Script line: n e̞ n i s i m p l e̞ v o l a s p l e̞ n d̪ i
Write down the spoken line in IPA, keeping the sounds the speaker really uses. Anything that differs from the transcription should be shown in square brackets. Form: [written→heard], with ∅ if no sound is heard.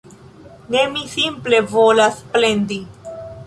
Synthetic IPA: n e̞ [n→m] i s i m p l e̞ v o l a s p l e̞ n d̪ i